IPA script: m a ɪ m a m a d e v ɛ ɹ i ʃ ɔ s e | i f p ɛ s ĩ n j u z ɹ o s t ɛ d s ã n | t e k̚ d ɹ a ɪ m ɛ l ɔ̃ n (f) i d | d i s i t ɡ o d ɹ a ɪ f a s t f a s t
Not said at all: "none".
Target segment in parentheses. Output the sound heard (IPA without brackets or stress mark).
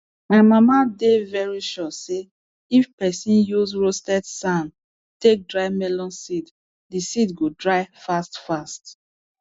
s